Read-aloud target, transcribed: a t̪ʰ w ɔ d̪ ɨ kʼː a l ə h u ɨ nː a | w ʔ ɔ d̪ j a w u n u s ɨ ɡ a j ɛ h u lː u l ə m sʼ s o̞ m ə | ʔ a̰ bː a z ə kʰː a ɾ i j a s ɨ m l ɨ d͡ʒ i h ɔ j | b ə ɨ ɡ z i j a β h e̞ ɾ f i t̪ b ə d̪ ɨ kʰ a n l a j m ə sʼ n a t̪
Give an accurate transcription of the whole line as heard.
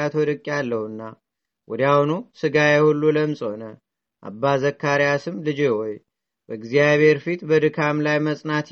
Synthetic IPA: a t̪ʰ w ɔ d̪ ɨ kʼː a lː ə h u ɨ nː a | w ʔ ɔ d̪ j a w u n u s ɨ ɡ a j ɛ h u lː u l ə m sʼ h o̞ n ə | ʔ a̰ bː a z ə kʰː a ɾ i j a s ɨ m l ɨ d͡ʒ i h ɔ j | b ə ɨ ɡ z i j a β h e̞ ɾ f i t̪ b ə d̪ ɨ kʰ a m l a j m ə sʼ n a t̪